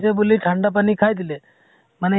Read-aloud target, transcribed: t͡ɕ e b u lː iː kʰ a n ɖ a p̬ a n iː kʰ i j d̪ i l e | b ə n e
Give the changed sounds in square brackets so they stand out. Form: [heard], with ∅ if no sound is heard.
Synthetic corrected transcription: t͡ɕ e b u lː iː [ʈʰ] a [ɳ] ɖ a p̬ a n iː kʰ [a] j d̪ i l e | [m] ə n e

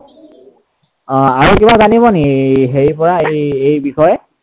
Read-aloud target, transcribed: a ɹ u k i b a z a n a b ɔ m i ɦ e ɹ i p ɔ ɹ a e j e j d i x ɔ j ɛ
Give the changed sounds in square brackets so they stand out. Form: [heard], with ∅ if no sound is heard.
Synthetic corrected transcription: a ɹ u k i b a z a n [i] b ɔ [n] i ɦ e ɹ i p ɔ ɹ a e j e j [b] i x ɔ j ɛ

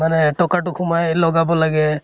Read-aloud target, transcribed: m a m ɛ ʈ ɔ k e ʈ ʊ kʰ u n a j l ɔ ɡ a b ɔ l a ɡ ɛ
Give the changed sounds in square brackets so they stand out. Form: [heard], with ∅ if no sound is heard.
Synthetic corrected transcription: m a [n] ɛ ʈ ɔ k [a] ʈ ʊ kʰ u [m] a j l ɔ ɡ a b ɔ l a ɡ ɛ

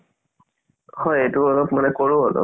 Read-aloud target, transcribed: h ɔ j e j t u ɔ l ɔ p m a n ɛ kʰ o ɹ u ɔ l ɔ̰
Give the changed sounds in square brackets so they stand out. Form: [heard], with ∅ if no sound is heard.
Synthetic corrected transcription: h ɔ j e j t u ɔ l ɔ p m a n ɛ [k] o ɹ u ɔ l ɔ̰

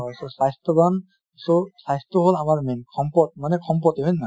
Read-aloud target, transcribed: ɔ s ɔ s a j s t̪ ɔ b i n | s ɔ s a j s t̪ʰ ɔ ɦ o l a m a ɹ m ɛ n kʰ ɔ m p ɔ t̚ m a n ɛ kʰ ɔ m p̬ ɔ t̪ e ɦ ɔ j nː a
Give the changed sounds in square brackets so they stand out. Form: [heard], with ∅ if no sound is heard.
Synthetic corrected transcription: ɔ s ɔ s a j s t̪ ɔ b [a] n | s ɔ s a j s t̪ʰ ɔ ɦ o l a m a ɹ m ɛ n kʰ ɔ m p ɔ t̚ m a n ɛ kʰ ɔ m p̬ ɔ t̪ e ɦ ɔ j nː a

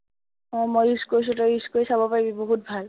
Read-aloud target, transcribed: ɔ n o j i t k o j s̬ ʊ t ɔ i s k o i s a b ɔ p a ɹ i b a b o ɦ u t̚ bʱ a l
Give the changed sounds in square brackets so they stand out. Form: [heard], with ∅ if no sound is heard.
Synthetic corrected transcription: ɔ [m] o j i [s] k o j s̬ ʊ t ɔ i s k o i s a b ɔ p a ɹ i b [i] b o ɦ u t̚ bʱ a l

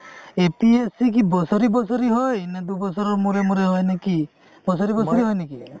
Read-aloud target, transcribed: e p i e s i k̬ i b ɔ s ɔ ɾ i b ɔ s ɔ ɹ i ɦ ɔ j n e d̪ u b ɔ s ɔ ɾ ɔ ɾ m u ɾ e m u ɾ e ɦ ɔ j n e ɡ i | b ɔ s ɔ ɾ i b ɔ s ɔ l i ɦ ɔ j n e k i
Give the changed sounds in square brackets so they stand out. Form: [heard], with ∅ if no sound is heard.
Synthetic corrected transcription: e p i e s i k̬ i b ɔ s ɔ ɾ i b ɔ s ɔ [ɾ] i ɦ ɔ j n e d̪ u b ɔ s ɔ ɾ ɔ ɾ m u ɾ e m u ɾ e ɦ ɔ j n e [k] i | b ɔ s ɔ ɾ i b ɔ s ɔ [ɾ] i ɦ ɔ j n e k i

